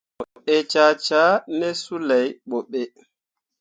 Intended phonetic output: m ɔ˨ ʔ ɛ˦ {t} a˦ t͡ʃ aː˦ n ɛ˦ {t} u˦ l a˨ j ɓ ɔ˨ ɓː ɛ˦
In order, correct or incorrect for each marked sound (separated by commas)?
incorrect, incorrect